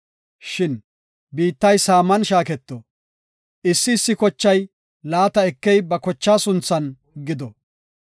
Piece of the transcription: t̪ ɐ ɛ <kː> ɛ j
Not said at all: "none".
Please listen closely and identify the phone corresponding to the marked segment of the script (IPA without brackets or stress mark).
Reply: kː